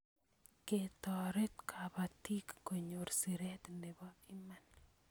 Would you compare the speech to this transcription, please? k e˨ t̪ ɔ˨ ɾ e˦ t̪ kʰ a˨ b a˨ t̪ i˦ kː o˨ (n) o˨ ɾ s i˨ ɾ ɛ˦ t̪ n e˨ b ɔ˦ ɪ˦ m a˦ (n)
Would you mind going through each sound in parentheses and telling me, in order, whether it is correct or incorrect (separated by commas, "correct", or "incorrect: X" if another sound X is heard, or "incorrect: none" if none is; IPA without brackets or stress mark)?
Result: incorrect: ɲ, correct